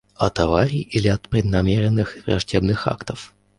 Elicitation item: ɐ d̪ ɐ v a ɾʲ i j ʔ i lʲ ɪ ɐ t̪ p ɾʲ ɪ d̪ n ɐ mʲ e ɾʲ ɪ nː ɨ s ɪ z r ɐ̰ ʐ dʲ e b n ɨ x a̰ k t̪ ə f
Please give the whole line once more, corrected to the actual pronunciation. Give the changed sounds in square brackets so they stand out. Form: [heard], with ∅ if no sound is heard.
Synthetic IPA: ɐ [t̪] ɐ v a ɾʲ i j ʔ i lʲ ɪ ɐ t̪ p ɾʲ ɪ d̪ n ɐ mʲ e ɾʲ ɪ nː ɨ [x] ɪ [v] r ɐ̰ ʐ dʲ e b n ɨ x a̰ k t̪ ə f